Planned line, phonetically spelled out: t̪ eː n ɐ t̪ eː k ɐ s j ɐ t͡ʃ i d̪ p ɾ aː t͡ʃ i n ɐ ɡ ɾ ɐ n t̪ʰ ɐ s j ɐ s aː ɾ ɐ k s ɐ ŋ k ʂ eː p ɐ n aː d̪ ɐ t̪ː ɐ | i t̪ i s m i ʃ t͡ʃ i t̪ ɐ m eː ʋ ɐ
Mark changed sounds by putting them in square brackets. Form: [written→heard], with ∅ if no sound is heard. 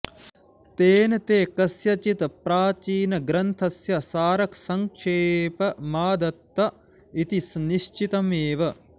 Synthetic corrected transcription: t̪ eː n ɐ t̪ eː k ɐ s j ɐ t͡ʃ i [d̪→t̪] p ɾ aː t͡ʃ [i→iː] n ɐ ɡ ɾ ɐ n t̪ʰ ɐ s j ɐ s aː ɾ ɐ k s ɐ ŋ k ʂ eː p ɐ [n→m] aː d̪ ɐ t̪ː ɐ | i t̪ i s [m→n] i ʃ t͡ʃ i t̪ ɐ m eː ʋ ɐ